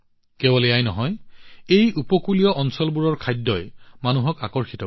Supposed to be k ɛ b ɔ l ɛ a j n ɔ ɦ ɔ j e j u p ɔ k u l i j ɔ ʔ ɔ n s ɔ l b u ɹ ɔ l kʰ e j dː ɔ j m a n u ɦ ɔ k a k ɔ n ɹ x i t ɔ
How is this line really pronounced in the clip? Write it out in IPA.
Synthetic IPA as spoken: k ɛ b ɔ l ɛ a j n ɔ ɦ ɔ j e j u p ɔ k u l i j ɔ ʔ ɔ n s ɔ l b u ɹ ɔ ɹ kʰ a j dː ɔ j m a n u ɦ ɔ k a k ɔ ɹ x i t ɔ